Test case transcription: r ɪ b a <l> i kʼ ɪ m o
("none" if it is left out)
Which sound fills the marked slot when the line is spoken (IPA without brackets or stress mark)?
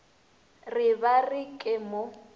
r